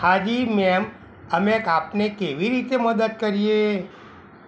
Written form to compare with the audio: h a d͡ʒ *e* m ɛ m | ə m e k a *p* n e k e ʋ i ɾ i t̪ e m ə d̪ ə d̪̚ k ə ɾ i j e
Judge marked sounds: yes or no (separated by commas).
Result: no, yes